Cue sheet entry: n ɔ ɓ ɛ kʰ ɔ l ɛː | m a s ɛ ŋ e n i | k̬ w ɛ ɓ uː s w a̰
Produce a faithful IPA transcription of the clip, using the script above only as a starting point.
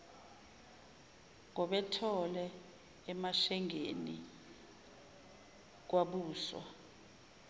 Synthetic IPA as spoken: ŋ ɔ ɓ ɛ tʰ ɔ l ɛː | m a ʃ ɛ ŋ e n i | k̬ w a ɓ uː s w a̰